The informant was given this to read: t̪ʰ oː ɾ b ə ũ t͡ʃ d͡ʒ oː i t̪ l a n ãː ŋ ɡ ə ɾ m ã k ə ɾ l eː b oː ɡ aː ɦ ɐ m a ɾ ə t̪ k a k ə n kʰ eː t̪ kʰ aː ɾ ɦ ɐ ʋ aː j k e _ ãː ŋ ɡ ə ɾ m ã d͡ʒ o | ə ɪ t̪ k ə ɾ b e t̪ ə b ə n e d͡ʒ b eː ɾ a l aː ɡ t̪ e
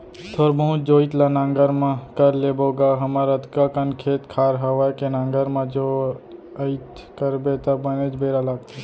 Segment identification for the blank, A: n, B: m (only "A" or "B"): A